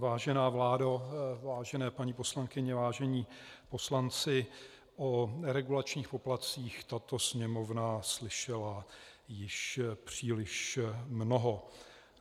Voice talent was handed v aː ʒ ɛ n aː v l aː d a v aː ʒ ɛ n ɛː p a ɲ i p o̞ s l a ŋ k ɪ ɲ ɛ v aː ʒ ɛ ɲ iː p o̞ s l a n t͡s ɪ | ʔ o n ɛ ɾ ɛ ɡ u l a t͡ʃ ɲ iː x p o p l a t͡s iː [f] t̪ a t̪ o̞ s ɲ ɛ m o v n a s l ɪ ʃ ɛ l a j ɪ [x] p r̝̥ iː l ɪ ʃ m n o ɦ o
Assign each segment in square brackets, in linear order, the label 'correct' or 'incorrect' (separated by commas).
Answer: incorrect, incorrect